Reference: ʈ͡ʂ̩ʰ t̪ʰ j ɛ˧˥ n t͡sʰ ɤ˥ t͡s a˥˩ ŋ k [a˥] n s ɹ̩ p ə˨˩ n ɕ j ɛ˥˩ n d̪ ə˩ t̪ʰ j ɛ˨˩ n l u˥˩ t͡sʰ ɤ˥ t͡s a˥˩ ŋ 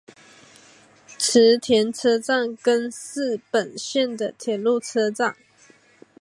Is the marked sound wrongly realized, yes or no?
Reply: yes